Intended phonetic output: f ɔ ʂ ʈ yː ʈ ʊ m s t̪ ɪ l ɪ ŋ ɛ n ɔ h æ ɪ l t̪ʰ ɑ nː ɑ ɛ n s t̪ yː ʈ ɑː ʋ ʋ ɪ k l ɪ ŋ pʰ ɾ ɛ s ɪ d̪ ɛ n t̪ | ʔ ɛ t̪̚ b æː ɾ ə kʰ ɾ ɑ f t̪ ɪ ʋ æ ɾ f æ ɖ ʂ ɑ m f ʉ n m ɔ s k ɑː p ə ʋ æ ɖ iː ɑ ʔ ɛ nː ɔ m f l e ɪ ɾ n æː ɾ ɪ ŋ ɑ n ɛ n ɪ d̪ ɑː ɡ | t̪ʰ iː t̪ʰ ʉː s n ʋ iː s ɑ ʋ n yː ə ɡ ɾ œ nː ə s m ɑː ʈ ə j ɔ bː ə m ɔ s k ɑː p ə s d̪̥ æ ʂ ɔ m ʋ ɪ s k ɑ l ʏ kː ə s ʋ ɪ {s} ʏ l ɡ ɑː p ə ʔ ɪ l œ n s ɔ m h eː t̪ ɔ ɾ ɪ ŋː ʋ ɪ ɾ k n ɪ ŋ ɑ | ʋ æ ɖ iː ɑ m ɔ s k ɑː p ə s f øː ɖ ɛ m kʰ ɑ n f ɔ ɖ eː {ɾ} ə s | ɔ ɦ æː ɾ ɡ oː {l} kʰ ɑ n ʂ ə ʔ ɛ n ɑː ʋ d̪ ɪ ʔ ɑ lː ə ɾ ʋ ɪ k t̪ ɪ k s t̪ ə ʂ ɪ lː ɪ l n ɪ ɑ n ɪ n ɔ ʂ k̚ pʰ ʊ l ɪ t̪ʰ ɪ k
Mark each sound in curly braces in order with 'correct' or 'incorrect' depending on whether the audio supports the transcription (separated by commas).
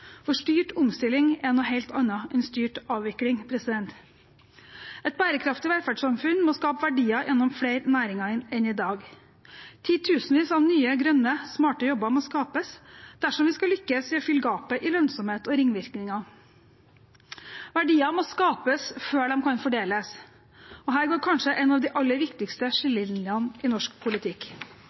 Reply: incorrect, incorrect, incorrect